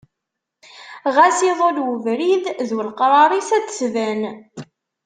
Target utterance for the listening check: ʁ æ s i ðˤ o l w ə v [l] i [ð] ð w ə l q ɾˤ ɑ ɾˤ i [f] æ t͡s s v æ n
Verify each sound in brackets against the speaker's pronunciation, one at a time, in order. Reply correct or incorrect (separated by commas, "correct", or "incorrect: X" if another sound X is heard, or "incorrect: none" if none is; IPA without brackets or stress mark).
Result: incorrect: ɾ, correct, incorrect: s